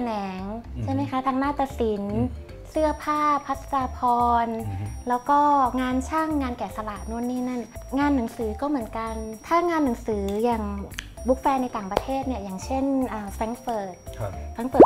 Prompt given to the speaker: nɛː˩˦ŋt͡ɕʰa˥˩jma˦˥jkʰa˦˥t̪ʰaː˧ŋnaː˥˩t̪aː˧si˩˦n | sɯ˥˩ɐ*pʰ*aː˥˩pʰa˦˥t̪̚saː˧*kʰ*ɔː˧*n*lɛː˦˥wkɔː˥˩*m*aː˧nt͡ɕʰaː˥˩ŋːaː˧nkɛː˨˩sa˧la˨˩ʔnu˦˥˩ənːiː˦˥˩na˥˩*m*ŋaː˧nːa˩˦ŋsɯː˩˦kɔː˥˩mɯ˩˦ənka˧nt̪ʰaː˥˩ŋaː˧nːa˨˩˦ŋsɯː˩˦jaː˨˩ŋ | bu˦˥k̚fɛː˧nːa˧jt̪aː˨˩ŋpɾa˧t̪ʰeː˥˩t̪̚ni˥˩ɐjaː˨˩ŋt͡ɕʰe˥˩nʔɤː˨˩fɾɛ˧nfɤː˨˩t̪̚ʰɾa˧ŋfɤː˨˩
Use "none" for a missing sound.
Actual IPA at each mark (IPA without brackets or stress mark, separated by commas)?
pʰ, pʰ, n, ŋ, n